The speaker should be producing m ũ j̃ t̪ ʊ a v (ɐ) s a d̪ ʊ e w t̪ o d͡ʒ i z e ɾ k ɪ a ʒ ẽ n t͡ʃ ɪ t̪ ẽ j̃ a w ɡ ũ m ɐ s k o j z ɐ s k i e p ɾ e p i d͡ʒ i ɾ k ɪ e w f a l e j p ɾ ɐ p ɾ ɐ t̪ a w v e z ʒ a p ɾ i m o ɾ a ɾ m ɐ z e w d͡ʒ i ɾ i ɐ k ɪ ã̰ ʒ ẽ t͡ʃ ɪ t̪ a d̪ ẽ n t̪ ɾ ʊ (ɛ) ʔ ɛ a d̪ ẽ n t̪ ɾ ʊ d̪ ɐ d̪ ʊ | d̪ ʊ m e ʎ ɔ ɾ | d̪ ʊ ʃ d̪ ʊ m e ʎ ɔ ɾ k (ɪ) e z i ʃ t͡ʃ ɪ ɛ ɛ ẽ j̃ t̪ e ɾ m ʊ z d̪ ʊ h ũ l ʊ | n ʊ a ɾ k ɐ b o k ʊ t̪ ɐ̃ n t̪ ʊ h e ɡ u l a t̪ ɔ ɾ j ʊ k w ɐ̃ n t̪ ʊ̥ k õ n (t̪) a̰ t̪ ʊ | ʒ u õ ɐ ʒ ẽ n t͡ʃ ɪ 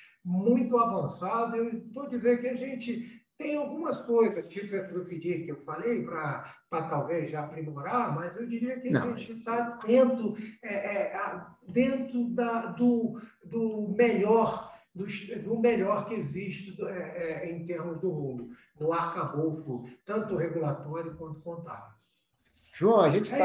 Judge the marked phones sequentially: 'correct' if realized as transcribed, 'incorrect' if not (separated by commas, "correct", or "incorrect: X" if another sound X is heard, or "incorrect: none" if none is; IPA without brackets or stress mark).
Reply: incorrect: ɐ̃, correct, correct, correct